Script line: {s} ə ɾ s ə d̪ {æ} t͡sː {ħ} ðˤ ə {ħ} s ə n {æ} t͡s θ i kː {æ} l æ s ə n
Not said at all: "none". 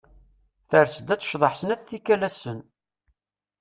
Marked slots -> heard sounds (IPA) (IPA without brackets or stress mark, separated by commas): θ, æ, ʃ, ħ, æ, æ